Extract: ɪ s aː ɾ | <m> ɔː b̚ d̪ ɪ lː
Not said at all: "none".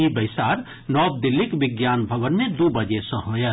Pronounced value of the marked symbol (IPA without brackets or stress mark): n